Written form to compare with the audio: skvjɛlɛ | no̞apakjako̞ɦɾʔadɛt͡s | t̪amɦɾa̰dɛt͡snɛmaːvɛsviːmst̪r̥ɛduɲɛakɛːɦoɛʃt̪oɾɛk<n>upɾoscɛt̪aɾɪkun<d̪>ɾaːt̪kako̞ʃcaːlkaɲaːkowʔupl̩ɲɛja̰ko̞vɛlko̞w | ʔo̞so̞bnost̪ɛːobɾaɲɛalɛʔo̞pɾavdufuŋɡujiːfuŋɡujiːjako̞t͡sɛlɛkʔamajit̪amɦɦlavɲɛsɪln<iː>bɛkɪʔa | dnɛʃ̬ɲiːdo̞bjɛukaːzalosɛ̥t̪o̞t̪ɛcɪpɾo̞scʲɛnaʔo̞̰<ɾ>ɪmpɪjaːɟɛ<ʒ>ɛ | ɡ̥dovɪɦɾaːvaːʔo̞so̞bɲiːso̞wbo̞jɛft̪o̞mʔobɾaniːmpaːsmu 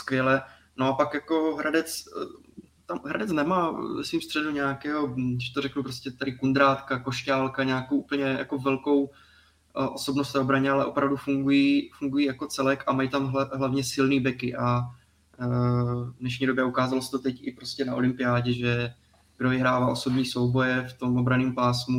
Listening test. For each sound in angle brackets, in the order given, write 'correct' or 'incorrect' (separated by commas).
correct, correct, correct, incorrect, correct